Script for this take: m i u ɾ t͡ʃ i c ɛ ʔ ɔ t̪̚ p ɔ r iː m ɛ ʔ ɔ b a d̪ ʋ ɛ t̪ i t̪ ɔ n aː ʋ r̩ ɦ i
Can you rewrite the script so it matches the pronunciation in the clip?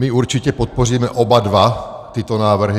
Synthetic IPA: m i u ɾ t͡ʃ i c ɛ p ɔ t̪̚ p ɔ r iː m ɛ ʔ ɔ b a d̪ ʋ a t̪ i t̪ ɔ n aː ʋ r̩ ɦ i